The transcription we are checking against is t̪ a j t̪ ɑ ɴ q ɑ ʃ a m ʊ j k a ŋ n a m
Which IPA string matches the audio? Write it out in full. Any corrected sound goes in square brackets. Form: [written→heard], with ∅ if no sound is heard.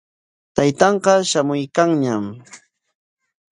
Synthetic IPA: t̪ a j t̪ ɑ ɴ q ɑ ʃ a m ʊ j k a ŋ [n→ɲ] a m